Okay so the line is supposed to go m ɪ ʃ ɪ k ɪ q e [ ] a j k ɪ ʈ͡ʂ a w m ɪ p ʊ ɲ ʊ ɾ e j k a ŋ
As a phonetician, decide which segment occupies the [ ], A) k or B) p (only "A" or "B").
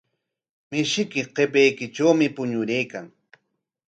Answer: B